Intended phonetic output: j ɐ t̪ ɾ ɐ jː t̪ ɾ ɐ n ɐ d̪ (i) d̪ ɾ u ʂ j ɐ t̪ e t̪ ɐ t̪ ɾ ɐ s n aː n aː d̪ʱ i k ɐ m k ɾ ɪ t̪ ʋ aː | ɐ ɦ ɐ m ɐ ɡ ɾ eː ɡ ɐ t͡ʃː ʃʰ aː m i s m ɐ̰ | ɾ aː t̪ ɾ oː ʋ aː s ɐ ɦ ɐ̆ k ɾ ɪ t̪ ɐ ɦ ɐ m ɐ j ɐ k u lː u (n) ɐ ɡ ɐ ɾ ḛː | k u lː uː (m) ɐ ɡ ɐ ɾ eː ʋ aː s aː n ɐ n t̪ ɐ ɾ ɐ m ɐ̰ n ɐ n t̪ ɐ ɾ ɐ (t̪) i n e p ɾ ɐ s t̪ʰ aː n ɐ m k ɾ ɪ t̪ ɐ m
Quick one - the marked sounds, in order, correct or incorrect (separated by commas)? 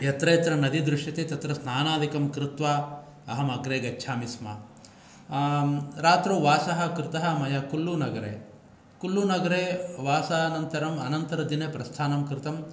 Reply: correct, correct, incorrect, incorrect